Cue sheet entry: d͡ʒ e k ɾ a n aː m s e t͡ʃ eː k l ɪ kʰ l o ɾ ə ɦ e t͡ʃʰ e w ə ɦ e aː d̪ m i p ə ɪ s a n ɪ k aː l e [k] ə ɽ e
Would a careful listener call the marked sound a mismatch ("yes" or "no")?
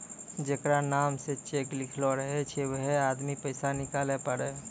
yes